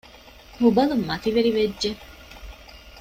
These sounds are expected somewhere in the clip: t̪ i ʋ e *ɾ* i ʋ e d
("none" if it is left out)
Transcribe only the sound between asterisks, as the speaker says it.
ɾ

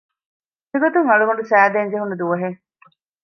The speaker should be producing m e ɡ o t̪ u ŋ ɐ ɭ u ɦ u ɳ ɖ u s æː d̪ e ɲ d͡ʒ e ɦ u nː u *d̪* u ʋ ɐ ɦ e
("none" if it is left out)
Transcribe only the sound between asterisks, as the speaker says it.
d̪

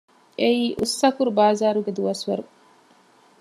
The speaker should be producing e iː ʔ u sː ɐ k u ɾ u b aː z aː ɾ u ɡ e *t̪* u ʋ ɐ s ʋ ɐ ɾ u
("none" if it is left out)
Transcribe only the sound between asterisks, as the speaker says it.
d̪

